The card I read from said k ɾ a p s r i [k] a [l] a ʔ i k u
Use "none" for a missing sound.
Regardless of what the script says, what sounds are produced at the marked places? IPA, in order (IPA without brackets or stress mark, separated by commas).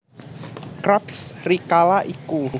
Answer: k, l